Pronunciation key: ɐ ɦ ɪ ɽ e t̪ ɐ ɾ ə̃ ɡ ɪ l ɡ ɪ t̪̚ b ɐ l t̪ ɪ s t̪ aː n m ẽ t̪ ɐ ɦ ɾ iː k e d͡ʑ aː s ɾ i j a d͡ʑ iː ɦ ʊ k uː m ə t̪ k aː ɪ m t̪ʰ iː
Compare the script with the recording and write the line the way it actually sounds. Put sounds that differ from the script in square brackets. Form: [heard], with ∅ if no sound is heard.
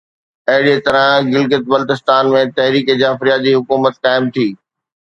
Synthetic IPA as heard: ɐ ɦ ɪ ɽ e t̪ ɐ ɾ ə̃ ɡ ɪ l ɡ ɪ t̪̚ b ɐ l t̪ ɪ s t̪ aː n m ẽ t̪ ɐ ɦ ɾ iː k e d͡ʑ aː [f] ɾ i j a d͡ʑ iː ɦ ʊ k uː m ə t̪ k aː ɪ m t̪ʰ iː

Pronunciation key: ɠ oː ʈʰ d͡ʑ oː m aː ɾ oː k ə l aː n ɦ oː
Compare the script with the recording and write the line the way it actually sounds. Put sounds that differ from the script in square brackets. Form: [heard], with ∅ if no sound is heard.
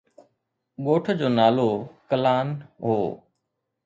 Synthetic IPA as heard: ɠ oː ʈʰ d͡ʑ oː [n] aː [l] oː k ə l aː n ɦ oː

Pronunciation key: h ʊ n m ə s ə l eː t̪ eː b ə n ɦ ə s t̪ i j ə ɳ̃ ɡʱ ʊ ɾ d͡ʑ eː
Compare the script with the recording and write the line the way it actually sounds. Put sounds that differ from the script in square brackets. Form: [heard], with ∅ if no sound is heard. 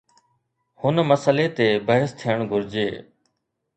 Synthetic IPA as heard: h ʊ n m ə s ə l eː t̪ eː b ə [∅] ɦ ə s [t̪ʰ] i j ə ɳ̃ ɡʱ ʊ ɾ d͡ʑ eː

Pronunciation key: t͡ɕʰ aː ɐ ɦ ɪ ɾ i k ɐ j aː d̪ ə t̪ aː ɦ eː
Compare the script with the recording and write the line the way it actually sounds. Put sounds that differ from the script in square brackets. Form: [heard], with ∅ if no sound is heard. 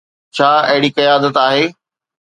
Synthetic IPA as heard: t͡ɕʰ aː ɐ ɦ ɪ [ɽ] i k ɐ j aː d̪ ə t̪ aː ɦ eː

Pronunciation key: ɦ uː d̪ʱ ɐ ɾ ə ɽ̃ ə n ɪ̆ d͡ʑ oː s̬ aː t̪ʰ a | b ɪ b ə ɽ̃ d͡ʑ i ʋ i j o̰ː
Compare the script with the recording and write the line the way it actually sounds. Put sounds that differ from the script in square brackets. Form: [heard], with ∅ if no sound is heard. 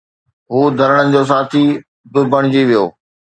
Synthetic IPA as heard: ɦ uː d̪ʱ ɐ ɾ ə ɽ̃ ə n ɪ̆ d͡ʑ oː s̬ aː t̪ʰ [i] | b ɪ b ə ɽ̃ d͡ʑ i ʋ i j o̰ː

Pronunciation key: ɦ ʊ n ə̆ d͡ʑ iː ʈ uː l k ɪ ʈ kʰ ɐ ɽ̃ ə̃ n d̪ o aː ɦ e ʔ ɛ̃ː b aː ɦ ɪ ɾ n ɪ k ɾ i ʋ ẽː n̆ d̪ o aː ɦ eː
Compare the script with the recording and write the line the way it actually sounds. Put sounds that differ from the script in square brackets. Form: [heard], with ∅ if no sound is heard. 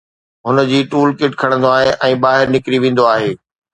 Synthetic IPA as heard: ɦ ʊ n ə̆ d͡ʑ iː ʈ uː l k ɪ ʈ kʰ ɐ ɽ̃ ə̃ n d̪ o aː ɦ e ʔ ɛ̃ː b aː ɦ ɪ ɾ n ɪ k ɾ i ʋ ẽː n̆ d̪ o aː ɦ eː

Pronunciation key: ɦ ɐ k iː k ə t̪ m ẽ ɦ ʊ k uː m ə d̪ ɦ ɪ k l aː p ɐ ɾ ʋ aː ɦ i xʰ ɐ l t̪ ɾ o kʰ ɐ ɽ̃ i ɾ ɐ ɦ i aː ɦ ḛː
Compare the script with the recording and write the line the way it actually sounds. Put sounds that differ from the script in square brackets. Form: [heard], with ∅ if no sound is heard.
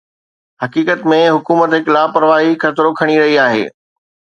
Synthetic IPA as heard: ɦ ɐ k iː k ə t̪ m ẽ ɦ ʊ k uː m ə [t̪] ɦ ɪ k l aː p ɐ ɾ ʋ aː ɦ i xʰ ɐ [∅] t̪ ɾ o kʰ ɐ ɽ̃ i ɾ ɐ ɦ i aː ɦ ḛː

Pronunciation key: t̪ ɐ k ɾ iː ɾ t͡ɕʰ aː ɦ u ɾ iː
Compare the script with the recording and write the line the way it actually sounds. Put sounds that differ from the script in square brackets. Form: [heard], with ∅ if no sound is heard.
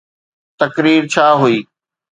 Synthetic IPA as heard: t̪ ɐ k ɾ iː ɾ t͡ɕʰ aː ɦ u [∅] iː

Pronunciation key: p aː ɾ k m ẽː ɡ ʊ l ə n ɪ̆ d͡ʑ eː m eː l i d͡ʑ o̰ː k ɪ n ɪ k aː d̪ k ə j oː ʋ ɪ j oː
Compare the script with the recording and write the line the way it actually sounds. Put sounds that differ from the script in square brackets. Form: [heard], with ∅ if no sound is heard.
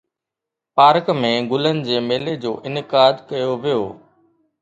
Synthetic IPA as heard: p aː ɾ k m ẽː ɡ ʊ l ə n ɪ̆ d͡ʑ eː m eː l [e] d͡ʑ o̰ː [ʔ] ɪ n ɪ k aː d̪ k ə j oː ʋ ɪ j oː

